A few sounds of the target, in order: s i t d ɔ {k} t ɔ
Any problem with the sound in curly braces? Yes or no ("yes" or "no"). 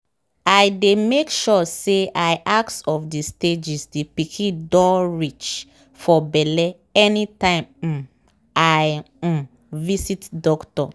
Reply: no